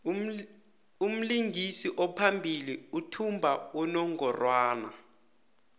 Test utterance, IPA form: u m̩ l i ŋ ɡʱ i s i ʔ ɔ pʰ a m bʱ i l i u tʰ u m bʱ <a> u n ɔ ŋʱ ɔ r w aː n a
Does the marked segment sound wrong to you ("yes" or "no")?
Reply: no